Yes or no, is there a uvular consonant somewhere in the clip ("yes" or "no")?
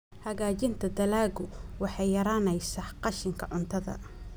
yes